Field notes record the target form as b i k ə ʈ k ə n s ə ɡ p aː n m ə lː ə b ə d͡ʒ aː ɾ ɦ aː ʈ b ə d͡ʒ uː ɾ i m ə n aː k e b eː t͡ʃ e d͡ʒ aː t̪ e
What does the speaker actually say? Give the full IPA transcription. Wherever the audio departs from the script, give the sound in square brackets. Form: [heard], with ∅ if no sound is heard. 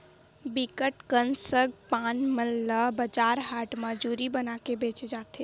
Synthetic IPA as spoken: b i k ə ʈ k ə n s ə ɡ p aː n m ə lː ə b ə d͡ʒ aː ɾ ɦ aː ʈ [m] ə d͡ʒ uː ɾ i [b] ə n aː k e b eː t͡ʃ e d͡ʒ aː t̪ e